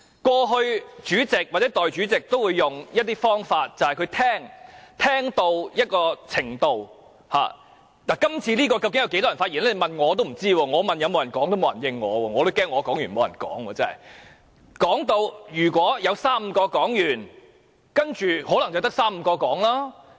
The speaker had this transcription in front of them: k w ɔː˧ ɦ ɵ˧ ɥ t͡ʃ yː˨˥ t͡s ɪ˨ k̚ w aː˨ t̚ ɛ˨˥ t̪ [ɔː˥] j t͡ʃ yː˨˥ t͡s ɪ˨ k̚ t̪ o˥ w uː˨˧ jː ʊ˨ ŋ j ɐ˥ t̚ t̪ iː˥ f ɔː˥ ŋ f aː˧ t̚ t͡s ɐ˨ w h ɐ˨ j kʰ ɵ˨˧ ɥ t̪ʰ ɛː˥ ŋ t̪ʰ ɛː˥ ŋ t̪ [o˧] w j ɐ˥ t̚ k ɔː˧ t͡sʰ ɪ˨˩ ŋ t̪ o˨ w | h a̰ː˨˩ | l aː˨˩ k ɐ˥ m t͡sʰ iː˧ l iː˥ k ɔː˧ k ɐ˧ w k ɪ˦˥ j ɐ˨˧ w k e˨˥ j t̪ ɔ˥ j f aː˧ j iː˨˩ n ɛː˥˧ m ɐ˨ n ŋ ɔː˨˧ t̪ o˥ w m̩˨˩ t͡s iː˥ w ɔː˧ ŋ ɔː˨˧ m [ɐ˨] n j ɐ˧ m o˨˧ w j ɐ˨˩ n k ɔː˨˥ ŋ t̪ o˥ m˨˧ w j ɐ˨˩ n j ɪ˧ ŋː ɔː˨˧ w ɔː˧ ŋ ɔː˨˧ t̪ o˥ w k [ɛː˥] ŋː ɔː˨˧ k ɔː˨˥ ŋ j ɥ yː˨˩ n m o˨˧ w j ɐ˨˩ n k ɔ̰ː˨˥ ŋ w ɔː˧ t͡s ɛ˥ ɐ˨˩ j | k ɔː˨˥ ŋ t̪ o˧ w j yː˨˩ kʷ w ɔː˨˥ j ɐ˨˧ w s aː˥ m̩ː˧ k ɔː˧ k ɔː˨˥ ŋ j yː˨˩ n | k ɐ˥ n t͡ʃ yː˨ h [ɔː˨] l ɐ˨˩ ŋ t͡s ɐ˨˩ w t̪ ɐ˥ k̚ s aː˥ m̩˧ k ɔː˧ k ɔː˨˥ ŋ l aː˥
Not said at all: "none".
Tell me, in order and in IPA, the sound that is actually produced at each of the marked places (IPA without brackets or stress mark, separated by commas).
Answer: ɔː˨, o˧, ɐ˨, ɛː˥, ɔː˨˥